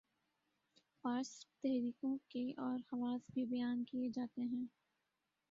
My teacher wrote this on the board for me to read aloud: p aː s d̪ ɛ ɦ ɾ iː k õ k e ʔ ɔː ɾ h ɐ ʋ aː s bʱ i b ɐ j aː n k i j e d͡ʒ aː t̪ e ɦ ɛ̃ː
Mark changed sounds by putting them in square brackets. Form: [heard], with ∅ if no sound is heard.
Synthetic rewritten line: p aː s [t̪] ɛ ɦ ɾ iː k õ k e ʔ ɔː ɾ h ɐ ʋ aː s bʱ i b ɐ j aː n k i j e d͡ʒ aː t̪ e ɦ ɛ̃ː